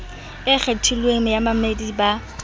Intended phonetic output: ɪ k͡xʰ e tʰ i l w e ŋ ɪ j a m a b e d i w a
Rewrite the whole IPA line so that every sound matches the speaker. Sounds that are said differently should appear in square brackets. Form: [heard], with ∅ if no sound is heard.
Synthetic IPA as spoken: ɪ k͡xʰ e tʰ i l w e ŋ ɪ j a m a [m] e d i [b] a